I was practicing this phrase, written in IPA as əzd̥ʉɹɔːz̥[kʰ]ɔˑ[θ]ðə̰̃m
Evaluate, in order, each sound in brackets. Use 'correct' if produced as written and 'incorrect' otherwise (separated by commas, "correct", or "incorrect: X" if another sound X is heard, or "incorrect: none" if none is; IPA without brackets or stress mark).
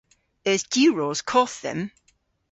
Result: correct, correct